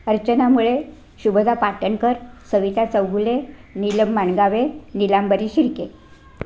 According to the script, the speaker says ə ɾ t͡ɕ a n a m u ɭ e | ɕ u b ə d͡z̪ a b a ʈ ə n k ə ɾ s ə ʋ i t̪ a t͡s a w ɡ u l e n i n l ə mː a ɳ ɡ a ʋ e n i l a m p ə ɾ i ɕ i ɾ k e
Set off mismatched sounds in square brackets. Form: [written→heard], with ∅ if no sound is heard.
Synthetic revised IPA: ə ɾ t͡ɕ [a→ə] n a m u ɭ e | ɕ u b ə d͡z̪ a [b→p] a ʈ ə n k ə ɾ s ə ʋ i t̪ a t͡s [a→ə] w ɡ u l e n i [n→∅] l ə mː a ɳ ɡ a ʋ e n i l a m [p→b] ə ɾ i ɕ i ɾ k e